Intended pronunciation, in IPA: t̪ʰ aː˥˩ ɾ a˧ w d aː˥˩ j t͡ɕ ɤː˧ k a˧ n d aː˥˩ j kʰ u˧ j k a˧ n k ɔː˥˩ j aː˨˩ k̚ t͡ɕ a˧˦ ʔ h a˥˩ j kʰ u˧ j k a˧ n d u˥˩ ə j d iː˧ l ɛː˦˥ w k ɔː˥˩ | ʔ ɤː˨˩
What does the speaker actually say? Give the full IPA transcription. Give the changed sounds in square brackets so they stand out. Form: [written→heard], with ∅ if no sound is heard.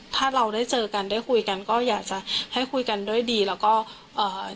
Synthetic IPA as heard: t̪ʰ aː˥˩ ɾ a˧ w d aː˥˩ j t͡ɕ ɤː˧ k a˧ n d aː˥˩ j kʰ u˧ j k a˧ n k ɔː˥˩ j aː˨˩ k̚ t͡ɕ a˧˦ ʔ h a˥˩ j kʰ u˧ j k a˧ n d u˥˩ ə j d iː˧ l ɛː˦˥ w k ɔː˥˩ | ʔ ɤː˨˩